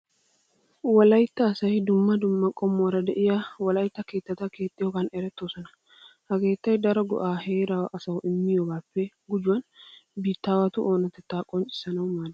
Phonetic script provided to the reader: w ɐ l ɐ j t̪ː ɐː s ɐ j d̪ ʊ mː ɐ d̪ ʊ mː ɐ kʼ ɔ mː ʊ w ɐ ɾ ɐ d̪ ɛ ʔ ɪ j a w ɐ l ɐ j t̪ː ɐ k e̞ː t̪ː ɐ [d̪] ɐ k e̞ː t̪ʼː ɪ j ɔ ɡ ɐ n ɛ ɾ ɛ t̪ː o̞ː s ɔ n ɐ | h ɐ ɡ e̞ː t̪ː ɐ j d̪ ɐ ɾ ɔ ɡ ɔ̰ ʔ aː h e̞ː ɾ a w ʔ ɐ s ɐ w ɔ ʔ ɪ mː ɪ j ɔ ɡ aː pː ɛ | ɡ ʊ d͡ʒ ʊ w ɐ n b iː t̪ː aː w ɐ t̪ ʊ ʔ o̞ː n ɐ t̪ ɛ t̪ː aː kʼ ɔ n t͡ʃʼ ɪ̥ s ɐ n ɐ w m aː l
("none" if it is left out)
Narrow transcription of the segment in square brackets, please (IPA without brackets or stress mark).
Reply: t̪